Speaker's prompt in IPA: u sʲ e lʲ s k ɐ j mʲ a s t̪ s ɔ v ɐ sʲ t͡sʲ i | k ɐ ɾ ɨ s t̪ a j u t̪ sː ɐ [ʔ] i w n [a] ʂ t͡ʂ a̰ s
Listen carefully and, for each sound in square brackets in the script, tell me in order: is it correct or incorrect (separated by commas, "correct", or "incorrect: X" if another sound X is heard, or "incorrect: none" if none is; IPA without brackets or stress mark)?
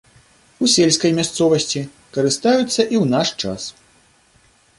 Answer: correct, correct